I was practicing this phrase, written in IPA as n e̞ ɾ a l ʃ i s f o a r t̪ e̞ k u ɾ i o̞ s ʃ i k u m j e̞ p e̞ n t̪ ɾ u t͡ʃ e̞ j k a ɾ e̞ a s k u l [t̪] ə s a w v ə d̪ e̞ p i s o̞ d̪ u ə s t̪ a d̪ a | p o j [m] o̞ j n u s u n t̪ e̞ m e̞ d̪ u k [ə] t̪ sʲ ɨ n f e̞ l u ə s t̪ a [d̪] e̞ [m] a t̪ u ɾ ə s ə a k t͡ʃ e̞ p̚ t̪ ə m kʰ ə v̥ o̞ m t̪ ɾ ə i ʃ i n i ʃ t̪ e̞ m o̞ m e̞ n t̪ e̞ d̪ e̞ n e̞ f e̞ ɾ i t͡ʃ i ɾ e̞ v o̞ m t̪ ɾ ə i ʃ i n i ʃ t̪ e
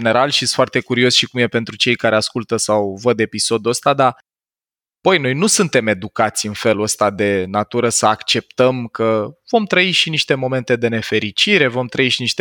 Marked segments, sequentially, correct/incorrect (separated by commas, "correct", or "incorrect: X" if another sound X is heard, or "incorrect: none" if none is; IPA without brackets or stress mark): correct, incorrect: n, incorrect: a, correct, incorrect: n